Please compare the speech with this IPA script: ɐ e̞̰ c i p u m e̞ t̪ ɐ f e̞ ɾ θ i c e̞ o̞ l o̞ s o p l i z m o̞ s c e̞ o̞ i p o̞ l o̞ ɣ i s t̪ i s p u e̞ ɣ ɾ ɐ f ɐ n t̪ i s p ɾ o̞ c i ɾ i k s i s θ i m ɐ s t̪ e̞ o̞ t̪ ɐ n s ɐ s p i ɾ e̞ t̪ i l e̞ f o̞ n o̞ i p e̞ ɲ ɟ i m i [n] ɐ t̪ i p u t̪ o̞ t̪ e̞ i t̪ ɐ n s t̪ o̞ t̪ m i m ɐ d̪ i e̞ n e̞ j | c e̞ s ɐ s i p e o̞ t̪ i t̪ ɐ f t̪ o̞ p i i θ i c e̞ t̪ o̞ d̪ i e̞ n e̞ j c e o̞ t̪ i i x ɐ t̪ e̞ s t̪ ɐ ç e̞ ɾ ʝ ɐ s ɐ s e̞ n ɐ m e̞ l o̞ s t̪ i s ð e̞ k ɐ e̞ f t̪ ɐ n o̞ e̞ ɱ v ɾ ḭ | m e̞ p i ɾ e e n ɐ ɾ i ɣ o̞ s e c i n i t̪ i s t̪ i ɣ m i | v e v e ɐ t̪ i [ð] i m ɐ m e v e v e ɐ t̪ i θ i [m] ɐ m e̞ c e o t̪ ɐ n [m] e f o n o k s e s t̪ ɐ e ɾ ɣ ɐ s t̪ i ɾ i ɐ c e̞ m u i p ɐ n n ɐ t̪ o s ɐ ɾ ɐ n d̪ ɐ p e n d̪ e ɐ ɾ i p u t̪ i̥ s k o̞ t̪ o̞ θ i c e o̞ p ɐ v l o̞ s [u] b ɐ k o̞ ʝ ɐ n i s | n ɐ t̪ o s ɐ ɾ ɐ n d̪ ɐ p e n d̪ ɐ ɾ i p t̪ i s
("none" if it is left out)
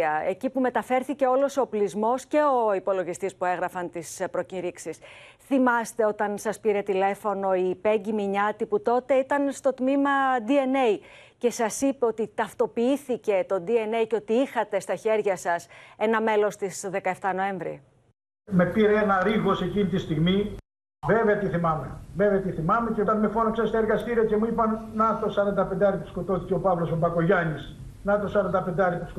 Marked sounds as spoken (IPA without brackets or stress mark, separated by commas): ɲ, θ, m, m, o